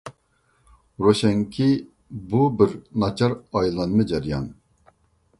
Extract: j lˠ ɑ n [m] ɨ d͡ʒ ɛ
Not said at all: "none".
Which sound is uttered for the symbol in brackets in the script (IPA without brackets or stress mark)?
m